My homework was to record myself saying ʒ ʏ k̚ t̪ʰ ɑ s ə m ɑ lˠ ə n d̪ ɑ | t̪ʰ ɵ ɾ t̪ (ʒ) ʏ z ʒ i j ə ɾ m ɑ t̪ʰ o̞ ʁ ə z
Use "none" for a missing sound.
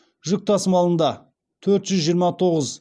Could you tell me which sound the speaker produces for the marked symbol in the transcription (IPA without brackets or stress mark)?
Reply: ʒ